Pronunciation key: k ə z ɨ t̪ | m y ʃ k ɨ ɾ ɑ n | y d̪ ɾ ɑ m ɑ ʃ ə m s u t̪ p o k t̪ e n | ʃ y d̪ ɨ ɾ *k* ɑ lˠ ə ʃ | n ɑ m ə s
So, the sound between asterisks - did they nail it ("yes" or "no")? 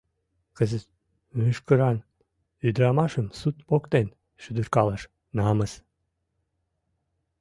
yes